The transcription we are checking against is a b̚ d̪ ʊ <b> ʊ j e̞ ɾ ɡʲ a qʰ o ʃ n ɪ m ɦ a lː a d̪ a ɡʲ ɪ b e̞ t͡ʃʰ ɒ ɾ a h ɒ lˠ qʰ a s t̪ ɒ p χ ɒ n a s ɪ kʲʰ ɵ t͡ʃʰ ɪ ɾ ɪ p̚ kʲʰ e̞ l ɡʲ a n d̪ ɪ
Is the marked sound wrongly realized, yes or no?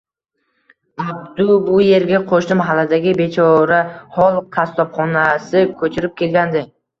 no